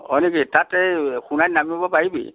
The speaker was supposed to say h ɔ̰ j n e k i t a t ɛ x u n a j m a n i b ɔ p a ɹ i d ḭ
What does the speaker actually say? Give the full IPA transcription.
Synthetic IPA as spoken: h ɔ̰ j n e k i t a t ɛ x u n a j n a m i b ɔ p a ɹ i b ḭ